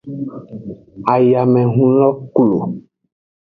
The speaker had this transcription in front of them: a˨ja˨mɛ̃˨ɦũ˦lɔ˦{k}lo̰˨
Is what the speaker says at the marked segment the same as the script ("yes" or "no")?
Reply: yes